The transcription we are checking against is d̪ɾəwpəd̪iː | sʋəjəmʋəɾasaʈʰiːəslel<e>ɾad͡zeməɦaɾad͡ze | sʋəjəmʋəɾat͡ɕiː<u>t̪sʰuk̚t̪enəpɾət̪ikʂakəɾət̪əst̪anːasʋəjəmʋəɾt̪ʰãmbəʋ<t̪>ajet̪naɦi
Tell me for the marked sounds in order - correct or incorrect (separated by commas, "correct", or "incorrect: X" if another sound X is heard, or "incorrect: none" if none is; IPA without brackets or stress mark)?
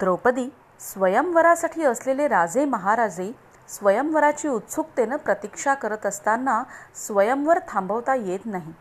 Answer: correct, correct, correct